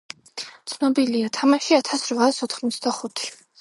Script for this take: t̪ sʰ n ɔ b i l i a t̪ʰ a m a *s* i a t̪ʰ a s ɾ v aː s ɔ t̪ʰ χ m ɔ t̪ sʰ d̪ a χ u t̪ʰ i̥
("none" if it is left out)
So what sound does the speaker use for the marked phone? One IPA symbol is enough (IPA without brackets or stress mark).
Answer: ʃ